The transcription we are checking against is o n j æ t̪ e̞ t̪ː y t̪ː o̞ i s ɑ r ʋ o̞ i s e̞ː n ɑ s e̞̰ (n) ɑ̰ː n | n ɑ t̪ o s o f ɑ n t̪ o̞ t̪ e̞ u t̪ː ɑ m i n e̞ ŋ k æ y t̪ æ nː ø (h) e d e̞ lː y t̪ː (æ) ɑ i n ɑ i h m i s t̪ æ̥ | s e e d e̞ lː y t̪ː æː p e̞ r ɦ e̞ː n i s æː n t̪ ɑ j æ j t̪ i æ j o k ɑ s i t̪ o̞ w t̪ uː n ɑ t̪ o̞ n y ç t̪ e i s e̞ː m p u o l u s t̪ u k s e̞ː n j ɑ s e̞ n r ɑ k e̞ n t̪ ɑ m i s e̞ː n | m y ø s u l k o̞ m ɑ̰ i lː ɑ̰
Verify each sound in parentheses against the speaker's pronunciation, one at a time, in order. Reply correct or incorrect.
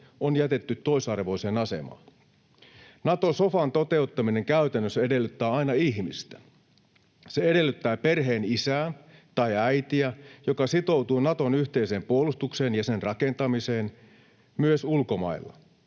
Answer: incorrect: m, incorrect: s, incorrect: æː

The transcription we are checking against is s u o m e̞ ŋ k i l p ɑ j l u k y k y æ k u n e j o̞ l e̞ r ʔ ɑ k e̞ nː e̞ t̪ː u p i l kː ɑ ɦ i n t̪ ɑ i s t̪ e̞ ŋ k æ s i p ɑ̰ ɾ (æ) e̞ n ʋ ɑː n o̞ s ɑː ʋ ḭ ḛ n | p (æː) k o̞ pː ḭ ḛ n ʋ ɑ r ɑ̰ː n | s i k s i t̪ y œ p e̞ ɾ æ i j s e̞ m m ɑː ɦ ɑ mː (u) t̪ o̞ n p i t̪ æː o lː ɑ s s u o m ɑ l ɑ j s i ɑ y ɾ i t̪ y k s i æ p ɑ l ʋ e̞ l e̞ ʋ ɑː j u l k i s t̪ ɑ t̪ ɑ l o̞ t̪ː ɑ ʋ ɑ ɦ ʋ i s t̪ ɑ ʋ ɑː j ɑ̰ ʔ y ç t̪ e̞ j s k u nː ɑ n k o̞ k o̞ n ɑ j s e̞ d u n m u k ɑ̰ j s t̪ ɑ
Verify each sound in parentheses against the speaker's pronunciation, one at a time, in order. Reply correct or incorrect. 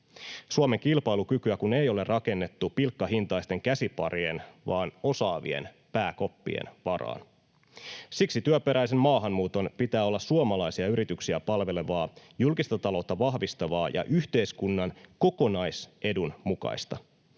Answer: incorrect: i, correct, incorrect: uː

